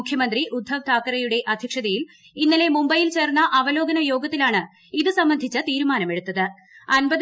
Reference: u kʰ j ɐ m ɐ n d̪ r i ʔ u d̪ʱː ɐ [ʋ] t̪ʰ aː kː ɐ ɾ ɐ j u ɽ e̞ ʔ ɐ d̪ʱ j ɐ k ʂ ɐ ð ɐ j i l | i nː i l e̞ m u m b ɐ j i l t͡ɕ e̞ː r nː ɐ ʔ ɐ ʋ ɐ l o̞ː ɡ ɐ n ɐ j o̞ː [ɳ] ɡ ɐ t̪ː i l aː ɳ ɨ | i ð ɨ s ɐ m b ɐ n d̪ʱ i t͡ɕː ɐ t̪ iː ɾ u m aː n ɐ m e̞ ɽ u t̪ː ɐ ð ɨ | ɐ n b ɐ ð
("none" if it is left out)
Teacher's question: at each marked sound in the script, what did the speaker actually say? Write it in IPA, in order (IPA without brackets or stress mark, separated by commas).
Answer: ʋ, none